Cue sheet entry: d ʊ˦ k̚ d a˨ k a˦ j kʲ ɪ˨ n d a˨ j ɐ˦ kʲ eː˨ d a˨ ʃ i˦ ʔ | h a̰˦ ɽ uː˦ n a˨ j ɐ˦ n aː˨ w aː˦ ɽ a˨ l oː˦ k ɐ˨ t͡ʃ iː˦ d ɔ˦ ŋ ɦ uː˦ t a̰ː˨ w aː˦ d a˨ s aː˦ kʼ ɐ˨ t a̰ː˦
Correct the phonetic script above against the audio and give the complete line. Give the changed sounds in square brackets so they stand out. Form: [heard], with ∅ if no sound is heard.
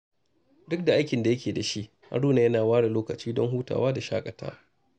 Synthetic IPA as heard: d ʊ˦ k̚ d a˨ [ʔ] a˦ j kʲ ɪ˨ n d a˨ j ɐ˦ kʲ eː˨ d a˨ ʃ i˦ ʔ | h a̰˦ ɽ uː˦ n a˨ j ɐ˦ n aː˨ w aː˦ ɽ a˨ l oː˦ k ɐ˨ t͡ʃ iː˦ d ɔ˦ ŋ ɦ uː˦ t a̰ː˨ w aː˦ d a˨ [ʃ] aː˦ kʼ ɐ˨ t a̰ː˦